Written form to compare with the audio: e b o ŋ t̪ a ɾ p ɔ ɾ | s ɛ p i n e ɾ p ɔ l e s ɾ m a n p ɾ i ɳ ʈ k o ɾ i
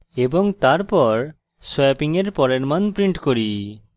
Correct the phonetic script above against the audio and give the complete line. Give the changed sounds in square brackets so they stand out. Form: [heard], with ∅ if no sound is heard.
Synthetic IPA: e b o ŋ t̪ a ɾ p ɔ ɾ | s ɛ p i [ŋ] e ɾ p ɔ [ɾ] e [∅] ɾ m a n p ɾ i ɳ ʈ k o ɾ i

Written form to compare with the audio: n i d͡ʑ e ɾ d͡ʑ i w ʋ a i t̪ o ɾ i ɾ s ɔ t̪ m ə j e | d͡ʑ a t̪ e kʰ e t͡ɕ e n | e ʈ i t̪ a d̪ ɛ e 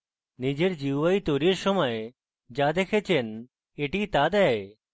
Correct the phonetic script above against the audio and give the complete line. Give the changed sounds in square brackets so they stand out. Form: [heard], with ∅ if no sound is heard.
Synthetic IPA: n i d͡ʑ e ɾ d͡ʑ i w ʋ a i t̪ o ɾ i ɾ s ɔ [∅] m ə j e | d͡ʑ a [d̪] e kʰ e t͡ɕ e n | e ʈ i t̪ a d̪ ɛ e

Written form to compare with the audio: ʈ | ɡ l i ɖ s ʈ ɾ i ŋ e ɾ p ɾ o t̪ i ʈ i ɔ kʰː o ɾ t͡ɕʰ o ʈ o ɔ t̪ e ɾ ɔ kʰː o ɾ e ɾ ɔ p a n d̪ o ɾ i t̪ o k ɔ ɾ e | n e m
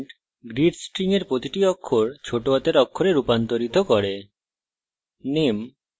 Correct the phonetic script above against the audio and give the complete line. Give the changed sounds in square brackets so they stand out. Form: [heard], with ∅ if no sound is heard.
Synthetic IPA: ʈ | ɡ [ɾ] i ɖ s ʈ ɾ i ŋ e ɾ p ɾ o t̪ i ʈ i ɔ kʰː o ɾ t͡ɕʰ o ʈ o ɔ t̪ e ɾ ɔ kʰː o ɾ e ɾ [u] p a n [t̪] o ɾ i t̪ o k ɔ ɾ e | n e m

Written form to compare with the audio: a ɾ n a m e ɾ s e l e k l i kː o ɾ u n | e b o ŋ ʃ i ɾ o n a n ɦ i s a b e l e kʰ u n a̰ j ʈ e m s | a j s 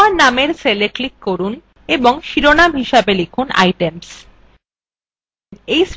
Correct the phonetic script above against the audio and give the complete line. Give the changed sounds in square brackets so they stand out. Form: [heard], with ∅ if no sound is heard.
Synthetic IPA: a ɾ n a m e ɾ s e l e k l i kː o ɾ u n | e b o ŋ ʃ i ɾ o n a [m] ɦ i [ʃ] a b e l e kʰ u n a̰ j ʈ e m s | [e] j s

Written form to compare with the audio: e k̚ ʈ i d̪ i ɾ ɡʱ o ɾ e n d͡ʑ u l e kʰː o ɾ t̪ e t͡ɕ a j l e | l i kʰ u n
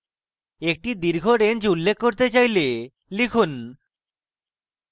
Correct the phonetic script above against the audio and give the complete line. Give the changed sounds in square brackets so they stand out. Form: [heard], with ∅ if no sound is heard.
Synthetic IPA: e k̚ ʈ i d̪ i ɾ ɡʱ o ɾ e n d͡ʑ u [lː] e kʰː o ɾ t̪ e t͡ɕ a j l e | l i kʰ u n

